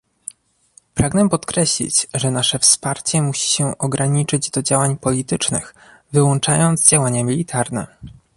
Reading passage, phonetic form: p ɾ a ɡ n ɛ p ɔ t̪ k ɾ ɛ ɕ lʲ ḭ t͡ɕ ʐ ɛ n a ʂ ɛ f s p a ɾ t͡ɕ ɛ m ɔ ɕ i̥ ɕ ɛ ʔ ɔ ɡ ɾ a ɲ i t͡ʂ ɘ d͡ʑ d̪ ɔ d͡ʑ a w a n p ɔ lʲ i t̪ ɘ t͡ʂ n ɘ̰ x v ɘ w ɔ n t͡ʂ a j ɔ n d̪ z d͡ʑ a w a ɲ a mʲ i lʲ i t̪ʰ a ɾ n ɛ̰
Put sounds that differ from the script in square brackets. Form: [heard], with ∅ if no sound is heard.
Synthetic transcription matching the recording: p ɾ a ɡ n ɛ p ɔ t̪ k ɾ ɛ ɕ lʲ ḭ t͡ɕ ʐ ɛ n a ʂ ɛ f s p a ɾ t͡ɕ ɛ m [u] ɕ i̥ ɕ ɛ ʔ ɔ ɡ ɾ a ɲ i t͡ʂ ɘ d͡ʑ d̪ ɔ d͡ʑ a w a [ɲ] p ɔ lʲ i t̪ ɘ t͡ʂ n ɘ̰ x v ɘ w ɔ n t͡ʂ a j ɔ n d̪ z d͡ʑ a w a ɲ a mʲ i lʲ i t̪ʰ a ɾ n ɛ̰